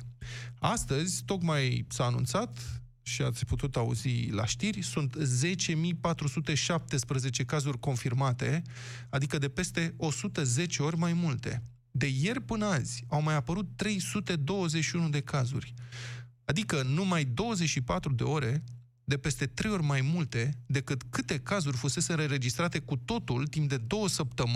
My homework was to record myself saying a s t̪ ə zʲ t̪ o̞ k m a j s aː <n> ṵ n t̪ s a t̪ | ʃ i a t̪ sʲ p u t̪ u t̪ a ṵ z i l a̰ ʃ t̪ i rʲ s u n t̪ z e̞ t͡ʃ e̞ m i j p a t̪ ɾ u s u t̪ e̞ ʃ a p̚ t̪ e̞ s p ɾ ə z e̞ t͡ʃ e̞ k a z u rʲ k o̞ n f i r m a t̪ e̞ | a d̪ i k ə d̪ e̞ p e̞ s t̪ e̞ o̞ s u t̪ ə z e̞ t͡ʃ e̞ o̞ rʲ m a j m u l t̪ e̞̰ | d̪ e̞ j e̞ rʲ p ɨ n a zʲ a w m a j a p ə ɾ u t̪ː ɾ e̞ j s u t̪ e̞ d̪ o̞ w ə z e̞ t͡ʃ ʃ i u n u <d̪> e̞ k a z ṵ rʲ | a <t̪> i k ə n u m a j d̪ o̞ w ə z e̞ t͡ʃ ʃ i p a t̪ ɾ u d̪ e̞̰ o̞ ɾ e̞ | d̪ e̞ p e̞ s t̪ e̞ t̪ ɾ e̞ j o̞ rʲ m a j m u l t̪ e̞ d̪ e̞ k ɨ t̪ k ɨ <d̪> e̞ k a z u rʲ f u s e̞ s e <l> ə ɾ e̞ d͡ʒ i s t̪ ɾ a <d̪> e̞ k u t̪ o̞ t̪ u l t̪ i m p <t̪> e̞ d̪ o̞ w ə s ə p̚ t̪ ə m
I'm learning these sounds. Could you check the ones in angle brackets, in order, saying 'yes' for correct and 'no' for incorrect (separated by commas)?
yes, yes, no, no, no, no, no